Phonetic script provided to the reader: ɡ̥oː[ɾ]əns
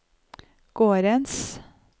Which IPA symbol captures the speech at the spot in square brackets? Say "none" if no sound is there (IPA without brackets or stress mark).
ɾ